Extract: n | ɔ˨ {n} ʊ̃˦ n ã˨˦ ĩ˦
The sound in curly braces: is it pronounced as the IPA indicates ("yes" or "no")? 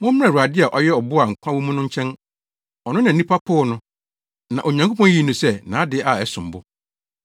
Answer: yes